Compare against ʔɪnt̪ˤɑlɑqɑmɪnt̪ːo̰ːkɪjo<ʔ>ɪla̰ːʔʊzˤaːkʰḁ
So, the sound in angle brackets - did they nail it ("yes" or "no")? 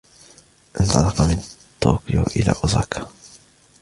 yes